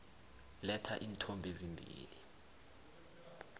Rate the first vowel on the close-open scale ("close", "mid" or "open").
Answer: mid